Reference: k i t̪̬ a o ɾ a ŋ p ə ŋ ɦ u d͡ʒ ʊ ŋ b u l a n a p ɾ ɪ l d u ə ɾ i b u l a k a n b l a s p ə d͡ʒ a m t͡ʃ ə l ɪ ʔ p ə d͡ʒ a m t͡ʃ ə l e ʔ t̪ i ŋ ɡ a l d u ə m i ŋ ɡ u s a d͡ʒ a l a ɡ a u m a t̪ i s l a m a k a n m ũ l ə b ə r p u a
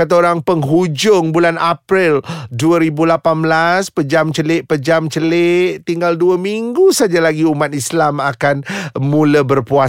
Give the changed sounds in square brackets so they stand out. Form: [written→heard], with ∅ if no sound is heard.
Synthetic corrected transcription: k [i→a] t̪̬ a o ɾ a ŋ p ə ŋ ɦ u d͡ʒ ʊ ŋ b u l a n a p ɾ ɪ l d u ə ɾ i b u l a [k→p] a n b l a s p ə d͡ʒ a m t͡ʃ ə l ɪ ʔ p ə d͡ʒ a m t͡ʃ ə l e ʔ t̪ i ŋ ɡ a l d u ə m i ŋ ɡ u s a d͡ʒ a l a ɡ [a→i] u m a t̪ i s l a m a k a n m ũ l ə b ə r p u a